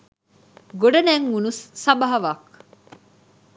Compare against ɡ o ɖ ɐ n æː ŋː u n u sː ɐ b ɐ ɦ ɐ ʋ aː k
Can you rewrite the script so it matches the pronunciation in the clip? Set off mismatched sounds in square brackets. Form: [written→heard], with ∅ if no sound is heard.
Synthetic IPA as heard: ɡ o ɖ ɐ n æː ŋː u n u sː ɐ b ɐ ɦ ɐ ʋ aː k

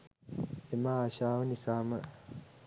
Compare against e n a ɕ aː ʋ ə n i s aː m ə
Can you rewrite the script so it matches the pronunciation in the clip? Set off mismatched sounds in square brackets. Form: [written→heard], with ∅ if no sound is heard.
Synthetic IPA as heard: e [n→m] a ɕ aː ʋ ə n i s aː m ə

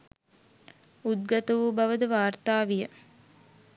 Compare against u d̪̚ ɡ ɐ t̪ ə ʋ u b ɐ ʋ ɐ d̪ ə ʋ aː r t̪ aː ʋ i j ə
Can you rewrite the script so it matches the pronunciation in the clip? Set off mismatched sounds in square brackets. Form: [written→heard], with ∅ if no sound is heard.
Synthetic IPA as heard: u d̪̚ ɡ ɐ t̪ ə ʋ u b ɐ ʋ [ɐ→ə] d̪ ə ʋ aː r t̪ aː ʋ i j ə

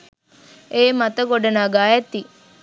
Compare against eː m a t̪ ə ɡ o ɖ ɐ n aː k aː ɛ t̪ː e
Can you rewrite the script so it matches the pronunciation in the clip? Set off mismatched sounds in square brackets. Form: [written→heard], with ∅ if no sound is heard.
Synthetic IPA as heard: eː m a t̪ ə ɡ o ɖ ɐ n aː [k→ɡ] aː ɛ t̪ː [e→i]

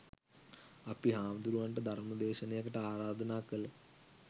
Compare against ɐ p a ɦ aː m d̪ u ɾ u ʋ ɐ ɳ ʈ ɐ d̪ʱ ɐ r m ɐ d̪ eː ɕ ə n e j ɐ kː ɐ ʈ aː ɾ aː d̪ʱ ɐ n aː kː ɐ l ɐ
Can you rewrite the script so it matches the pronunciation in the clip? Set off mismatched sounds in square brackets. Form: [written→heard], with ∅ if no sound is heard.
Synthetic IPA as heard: ɐ p [a→i] ɦ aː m d̪ u ɾ u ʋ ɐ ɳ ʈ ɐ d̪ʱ ɐ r m ɐ d̪ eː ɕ [ə→ɐ] n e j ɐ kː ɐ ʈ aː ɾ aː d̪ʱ ɐ n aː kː ɐ l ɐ

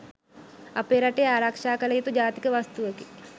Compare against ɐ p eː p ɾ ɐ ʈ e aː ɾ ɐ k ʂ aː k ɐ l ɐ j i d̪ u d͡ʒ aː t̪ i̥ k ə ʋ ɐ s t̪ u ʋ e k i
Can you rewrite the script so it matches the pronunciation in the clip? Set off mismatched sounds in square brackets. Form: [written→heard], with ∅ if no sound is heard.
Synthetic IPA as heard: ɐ p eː [p→∅] ɾ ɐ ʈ e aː ɾ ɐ k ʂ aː k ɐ l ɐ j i [d̪→t̪] u d͡ʒ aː t̪ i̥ k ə ʋ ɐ s t̪ u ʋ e k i

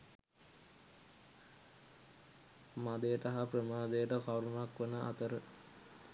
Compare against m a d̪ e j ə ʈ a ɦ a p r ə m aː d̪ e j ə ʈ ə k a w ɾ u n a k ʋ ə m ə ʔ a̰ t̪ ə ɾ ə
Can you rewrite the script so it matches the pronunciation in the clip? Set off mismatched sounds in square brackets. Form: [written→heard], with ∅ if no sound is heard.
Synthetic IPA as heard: m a d̪ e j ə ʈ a ɦ a p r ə m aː d̪ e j ə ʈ ə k a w ɾ u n a k ʋ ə [m→n] ə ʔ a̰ t̪ ə ɾ ə

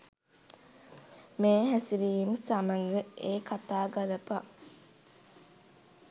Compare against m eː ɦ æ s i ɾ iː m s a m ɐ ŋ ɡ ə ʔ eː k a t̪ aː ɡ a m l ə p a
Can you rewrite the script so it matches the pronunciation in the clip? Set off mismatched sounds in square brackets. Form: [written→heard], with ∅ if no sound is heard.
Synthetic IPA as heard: m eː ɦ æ s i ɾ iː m s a m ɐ ŋ ɡ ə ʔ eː k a t̪ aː ɡ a [m→∅] l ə p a

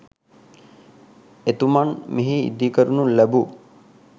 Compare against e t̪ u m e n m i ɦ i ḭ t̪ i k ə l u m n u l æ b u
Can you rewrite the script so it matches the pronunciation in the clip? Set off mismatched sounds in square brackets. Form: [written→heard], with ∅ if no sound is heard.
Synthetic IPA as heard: e t̪ u m [e→a] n m i ɦ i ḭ [t̪→d̪] i k ə [l→ɾ] u [m→∅] n u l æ b u

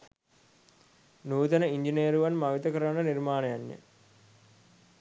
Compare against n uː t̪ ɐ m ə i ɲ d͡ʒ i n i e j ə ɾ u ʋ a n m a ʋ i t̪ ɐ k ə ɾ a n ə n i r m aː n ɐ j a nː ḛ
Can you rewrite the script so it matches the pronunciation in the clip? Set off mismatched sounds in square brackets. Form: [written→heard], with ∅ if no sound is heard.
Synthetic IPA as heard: n uː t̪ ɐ [m→n] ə i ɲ d͡ʒ i n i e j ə ɾ u ʋ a n m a ʋ i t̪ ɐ k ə ɾ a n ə n i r m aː n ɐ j a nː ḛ

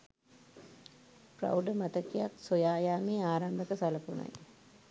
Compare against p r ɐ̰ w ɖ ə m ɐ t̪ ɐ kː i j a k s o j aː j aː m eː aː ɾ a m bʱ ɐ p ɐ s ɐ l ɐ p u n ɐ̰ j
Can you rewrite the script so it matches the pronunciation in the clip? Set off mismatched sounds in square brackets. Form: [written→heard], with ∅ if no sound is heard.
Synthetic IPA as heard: p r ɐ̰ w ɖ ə m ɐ t̪ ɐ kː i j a k s o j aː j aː m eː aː ɾ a m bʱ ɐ [p→k] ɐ s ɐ l ɐ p u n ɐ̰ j

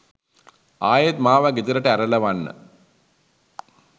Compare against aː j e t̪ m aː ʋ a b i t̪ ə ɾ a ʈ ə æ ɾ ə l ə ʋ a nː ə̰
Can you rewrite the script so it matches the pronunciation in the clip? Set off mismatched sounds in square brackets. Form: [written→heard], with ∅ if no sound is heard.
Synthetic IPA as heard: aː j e t̪ m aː ʋ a [b→ɡ] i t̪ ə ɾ [a→ə] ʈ ə æ ɾ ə l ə ʋ a nː ə̰

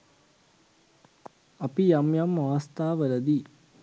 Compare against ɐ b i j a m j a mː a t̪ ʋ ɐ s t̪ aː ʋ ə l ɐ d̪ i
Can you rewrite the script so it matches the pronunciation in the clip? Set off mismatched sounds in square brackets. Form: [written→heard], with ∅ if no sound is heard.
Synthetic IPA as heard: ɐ [b→p] i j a m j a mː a [t̪→∅] ʋ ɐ s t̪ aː ʋ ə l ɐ d̪ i

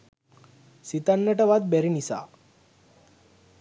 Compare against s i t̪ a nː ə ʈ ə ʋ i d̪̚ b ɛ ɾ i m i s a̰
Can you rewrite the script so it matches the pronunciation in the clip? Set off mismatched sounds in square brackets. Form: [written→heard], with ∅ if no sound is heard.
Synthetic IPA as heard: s i t̪ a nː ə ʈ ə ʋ [i→a] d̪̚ b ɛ ɾ i [m→n] i s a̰

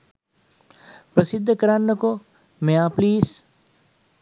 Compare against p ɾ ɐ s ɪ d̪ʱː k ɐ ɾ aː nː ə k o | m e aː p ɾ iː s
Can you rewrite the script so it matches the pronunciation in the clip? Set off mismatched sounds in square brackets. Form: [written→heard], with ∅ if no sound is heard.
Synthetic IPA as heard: p ɾ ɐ s ɪ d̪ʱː k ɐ ɾ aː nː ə k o | m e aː p [ɾ→l] iː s

